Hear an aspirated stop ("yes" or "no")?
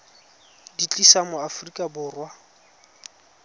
no